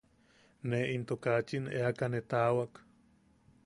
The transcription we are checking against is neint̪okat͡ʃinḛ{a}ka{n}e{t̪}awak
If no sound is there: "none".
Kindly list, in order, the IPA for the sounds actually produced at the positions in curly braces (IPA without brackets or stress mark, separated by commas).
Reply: a, n, t̪